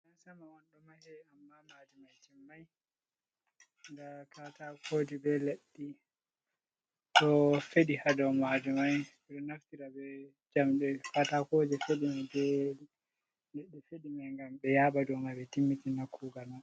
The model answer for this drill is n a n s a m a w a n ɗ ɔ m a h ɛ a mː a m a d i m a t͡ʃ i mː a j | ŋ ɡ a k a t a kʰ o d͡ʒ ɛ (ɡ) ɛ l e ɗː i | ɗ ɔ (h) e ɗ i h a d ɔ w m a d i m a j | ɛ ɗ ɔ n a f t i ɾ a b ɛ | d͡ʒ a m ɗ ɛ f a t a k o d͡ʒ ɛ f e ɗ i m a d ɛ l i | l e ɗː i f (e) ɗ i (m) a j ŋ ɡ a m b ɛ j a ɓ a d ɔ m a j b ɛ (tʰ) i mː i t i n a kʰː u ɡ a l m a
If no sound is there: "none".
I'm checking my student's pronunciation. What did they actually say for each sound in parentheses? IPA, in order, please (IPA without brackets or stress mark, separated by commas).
b, f, e, m, t